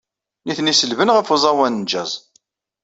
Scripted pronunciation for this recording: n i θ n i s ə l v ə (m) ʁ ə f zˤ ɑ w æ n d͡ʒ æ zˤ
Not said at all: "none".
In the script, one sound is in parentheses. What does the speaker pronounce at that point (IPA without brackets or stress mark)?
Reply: n